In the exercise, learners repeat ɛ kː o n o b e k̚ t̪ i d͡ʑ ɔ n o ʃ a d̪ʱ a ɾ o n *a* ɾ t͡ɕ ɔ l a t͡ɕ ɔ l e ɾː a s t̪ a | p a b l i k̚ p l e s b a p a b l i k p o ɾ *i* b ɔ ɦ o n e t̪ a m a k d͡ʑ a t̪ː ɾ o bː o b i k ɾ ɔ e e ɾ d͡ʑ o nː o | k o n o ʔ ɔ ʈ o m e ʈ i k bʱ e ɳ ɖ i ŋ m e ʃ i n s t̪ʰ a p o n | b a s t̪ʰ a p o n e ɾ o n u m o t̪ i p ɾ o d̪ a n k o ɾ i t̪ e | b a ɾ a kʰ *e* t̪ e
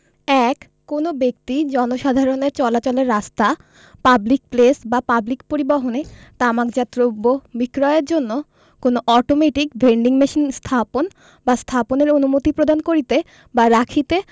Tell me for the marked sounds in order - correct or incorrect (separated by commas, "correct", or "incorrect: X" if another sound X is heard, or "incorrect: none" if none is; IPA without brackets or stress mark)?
incorrect: e, correct, incorrect: i